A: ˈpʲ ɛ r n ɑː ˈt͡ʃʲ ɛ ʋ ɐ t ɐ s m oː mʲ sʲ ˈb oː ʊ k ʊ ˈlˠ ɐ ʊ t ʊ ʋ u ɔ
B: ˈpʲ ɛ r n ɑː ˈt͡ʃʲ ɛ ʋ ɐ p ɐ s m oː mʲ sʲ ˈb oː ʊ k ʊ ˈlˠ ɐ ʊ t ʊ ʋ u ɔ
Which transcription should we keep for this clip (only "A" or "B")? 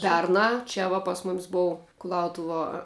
B